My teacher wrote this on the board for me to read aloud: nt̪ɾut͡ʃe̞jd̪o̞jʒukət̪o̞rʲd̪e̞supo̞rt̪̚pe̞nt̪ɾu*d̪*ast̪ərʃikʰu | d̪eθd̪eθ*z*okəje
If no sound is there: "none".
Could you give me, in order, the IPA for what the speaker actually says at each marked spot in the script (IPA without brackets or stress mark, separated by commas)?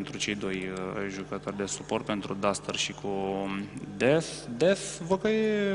d̪, v